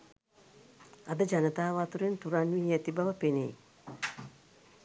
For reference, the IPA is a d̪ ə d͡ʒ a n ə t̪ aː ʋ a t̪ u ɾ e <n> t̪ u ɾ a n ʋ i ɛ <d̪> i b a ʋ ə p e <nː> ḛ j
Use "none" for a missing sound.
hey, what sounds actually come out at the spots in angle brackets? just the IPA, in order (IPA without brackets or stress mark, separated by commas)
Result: n, t̪, n